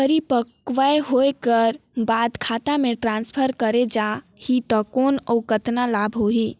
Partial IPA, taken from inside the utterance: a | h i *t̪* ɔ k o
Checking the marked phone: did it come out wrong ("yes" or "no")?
no